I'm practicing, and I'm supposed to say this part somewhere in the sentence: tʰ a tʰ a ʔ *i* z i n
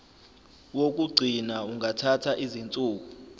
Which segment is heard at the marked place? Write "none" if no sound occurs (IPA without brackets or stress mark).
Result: i